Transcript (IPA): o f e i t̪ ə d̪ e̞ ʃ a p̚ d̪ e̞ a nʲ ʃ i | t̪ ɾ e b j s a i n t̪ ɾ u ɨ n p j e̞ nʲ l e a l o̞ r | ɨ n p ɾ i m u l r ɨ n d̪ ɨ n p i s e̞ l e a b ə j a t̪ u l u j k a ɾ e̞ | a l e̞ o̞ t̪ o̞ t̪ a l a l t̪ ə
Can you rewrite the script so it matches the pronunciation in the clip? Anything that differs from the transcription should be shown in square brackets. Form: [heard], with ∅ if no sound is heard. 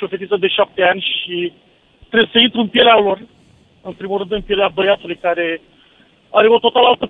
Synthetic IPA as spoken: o f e i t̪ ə d̪ e̞ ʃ a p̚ [t̪] e̞ a nʲ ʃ i | t̪ ɾ e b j s [ə] i n t̪ ɾ u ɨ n p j e̞ [∅] l e a l o̞ r | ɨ n p ɾ i m u l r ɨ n d̪ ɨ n p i [∅] e̞ l e a b ə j a t̪ u l u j k a ɾ e̞ | a [ɾ] e̞ o̞ t̪ o̞ t̪ a l a l t̪ ə